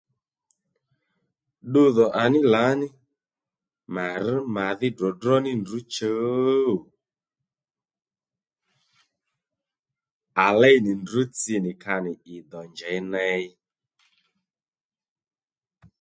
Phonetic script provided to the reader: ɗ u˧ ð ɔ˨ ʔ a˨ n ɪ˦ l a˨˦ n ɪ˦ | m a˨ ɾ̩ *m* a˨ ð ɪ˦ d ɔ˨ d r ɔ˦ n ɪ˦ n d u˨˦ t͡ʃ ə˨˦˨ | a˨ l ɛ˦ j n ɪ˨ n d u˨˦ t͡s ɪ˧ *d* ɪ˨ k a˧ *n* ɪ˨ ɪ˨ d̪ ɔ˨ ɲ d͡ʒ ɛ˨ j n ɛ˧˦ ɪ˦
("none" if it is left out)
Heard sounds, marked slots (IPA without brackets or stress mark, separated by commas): m, n, n